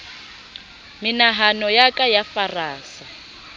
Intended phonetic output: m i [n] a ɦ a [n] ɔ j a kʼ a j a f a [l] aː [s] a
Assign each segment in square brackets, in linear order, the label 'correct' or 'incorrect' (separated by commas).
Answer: correct, correct, incorrect, correct